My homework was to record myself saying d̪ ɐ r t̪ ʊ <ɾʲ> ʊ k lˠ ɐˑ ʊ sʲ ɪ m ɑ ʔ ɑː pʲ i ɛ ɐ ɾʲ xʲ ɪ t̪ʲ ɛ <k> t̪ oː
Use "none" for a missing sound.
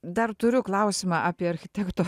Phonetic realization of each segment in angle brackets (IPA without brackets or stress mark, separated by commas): ɾʲ, k